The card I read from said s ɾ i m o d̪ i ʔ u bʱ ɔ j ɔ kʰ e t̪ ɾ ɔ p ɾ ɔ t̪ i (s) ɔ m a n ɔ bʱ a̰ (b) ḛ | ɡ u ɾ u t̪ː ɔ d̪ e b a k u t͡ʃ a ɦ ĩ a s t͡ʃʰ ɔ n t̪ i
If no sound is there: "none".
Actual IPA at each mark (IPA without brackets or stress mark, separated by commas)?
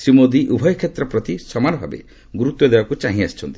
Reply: s, b